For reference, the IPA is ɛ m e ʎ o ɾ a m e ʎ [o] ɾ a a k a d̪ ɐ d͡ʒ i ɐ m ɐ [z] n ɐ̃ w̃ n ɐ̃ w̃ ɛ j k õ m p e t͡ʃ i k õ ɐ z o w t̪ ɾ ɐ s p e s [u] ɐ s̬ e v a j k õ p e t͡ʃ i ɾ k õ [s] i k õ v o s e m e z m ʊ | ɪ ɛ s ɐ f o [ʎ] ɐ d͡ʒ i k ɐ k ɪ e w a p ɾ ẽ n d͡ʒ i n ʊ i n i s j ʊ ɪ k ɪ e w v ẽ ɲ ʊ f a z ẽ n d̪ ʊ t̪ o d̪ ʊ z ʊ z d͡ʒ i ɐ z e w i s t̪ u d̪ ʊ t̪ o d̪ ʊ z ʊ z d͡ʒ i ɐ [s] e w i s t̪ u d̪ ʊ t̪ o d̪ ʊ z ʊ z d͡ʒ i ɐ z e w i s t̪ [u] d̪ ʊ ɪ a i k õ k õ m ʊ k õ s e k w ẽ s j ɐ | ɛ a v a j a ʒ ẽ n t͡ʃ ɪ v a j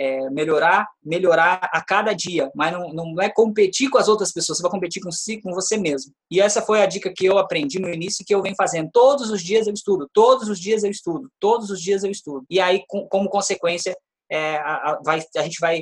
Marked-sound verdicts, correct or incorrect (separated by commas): correct, correct, incorrect, correct, incorrect, incorrect, correct